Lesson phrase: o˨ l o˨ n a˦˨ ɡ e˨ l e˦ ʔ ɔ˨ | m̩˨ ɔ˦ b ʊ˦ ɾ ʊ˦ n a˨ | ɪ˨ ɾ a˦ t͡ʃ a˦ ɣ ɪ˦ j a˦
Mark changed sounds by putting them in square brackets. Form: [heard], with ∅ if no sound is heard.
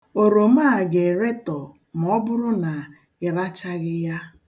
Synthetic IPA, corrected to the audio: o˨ [ɾ] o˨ [m] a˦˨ ɡ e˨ [ɾ] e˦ [t] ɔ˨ | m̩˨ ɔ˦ b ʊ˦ ɾ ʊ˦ n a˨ | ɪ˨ ɾ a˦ t͡ʃ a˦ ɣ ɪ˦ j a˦